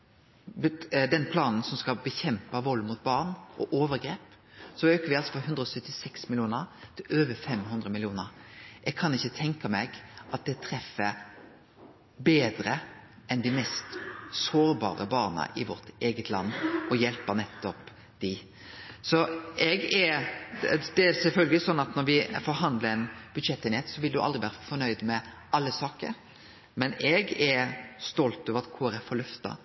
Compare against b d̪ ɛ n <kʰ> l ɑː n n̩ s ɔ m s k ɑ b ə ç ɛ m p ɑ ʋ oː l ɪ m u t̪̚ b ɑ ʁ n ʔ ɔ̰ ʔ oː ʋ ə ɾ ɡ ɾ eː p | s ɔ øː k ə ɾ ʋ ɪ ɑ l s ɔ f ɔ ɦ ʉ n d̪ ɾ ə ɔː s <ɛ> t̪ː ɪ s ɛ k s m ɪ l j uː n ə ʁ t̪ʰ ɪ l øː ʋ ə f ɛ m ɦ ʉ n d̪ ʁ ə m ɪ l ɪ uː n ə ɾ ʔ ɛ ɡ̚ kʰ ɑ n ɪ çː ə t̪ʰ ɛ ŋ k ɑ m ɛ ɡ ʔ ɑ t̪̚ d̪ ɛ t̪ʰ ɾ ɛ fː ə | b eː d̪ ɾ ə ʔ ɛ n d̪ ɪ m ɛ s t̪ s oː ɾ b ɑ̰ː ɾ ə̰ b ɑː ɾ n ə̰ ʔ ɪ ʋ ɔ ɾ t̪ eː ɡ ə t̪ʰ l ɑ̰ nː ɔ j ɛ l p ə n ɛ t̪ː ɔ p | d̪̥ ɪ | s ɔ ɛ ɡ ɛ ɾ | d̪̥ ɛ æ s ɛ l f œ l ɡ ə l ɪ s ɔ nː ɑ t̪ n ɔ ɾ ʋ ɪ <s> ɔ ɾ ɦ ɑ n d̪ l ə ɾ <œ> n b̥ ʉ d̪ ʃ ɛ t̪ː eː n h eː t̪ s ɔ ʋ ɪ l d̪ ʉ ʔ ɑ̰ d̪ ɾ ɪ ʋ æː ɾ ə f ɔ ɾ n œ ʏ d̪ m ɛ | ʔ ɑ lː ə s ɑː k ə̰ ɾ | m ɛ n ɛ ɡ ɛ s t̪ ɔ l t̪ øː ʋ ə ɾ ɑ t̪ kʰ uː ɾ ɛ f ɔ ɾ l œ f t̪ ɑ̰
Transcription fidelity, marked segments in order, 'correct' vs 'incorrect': incorrect: pʰ, incorrect: œ, incorrect: f, incorrect: ɛ

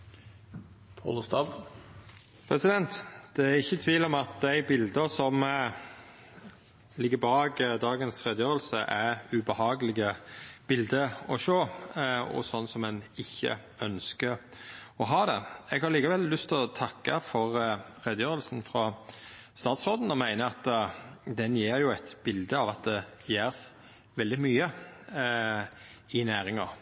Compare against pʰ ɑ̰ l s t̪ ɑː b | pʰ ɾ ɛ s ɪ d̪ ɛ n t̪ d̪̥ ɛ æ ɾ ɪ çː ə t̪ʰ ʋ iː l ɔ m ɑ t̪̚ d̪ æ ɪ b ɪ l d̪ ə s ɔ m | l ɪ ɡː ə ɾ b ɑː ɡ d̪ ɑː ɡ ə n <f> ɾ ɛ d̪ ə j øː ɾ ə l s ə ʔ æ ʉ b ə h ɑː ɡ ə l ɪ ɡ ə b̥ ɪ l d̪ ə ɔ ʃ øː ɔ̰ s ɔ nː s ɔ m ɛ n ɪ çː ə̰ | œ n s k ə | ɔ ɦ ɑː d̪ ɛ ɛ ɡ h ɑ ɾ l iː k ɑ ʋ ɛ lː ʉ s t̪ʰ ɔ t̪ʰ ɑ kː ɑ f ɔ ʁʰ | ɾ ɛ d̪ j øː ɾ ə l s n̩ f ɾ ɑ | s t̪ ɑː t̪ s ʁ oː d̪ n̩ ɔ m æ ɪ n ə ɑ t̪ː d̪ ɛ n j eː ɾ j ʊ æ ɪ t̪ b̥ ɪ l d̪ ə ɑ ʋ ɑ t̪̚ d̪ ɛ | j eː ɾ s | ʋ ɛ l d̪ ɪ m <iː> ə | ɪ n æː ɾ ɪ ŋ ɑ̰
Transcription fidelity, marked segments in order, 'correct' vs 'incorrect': incorrect: s, incorrect: yː

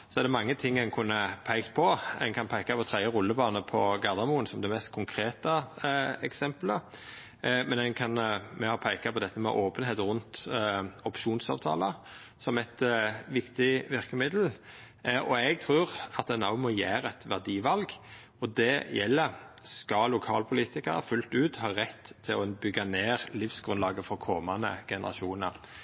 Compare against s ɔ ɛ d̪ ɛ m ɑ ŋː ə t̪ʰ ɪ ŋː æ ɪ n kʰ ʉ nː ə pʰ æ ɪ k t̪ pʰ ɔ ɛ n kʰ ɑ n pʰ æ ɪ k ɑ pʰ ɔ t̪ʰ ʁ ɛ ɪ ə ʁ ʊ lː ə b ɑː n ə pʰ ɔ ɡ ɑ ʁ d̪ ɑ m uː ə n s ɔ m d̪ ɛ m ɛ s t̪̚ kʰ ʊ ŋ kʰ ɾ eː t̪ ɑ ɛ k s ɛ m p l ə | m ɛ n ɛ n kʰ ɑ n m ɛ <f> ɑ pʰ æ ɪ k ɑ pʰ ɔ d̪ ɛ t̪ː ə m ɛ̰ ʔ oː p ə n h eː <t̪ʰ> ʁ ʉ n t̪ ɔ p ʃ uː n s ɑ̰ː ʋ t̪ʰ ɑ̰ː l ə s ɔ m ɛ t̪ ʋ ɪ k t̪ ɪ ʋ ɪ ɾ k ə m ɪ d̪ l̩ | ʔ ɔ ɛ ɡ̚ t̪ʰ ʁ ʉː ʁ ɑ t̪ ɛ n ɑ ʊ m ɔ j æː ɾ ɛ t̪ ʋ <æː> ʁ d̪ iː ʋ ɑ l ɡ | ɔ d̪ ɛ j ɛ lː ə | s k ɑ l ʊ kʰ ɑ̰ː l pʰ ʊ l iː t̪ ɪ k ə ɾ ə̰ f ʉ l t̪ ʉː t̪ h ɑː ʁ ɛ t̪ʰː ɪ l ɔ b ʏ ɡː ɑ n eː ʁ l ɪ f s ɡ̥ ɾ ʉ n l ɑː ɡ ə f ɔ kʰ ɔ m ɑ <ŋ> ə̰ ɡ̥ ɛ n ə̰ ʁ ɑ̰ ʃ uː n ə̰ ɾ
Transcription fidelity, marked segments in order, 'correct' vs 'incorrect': incorrect: h, incorrect: t̪, incorrect: æ, incorrect: n

